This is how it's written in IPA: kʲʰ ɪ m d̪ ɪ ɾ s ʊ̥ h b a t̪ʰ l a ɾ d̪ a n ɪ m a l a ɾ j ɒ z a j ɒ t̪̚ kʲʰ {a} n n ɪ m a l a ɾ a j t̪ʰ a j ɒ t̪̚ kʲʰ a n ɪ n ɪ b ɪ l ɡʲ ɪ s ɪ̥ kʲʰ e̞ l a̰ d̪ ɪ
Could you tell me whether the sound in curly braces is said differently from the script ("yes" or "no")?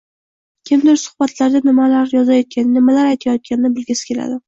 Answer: no